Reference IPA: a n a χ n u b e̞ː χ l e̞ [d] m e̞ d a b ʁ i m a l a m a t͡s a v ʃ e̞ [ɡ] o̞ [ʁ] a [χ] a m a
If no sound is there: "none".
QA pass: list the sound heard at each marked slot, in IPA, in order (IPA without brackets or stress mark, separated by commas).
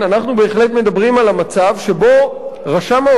t, b, ʁ, ʃ